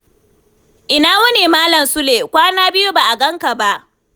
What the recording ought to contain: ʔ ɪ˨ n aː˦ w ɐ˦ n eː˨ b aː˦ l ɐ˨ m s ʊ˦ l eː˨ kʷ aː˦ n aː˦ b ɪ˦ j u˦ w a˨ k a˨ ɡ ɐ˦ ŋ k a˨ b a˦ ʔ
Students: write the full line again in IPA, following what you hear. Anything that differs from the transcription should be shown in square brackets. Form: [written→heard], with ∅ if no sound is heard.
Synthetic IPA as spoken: ʔ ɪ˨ n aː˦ w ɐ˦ n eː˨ [b→m] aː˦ l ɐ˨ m s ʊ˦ l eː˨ kʷ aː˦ n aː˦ b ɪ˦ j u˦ [w→b] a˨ [k→ʔ] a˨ ɡ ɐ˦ ŋ k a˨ b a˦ ʔ